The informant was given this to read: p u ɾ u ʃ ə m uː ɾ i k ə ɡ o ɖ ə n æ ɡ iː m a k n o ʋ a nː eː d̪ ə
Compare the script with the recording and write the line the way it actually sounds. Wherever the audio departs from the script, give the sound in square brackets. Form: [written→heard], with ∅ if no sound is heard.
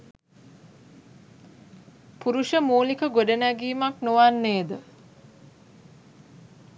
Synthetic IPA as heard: p u ɾ u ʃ ə m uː [ɾ→l] i k ə ɡ o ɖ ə n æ ɡ iː m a k n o ʋ a nː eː d̪ ə